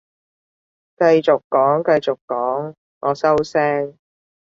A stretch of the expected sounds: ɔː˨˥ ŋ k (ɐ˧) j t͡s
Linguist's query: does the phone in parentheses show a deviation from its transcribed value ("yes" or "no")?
no